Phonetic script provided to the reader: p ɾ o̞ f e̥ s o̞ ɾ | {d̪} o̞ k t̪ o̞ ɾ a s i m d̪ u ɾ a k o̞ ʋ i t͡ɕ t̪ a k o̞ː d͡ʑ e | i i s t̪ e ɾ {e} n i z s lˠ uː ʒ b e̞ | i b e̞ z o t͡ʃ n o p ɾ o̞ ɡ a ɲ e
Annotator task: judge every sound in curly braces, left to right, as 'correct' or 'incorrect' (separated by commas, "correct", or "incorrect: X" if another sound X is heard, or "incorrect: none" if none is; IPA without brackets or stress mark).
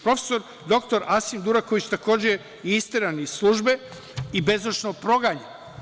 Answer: correct, incorrect: a